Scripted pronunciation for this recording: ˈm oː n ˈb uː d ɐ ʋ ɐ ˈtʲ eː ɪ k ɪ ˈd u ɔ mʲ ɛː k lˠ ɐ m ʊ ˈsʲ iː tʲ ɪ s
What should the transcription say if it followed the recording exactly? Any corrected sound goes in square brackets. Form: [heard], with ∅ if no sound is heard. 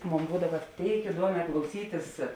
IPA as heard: ˈm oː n ˈb uː d ɐ ʋ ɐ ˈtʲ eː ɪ k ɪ ˈd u ɔ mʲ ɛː k lˠ ɐ [∅] ʊ ˈsʲ iː tʲ ɪ s